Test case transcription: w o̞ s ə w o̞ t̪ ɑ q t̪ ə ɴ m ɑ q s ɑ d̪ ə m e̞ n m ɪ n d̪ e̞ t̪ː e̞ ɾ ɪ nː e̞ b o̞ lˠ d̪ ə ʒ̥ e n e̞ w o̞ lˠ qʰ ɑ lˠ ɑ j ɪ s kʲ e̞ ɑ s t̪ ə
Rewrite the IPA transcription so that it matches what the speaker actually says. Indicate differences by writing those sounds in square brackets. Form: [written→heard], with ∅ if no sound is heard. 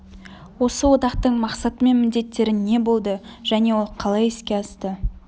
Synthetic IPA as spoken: w o̞ s ə w o̞ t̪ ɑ q t̪ ə ɴ m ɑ q s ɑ [d̪→t̪] ə m e̞ n m ɪ n d̪ e̞ t̪ː e̞ ɾ ɪ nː e̞ b o̞ lˠ d̪ ə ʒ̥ [e→æ] n e̞ w o̞ lˠ qʰ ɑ lˠ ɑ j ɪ s kʲ e̞ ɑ s t̪ ə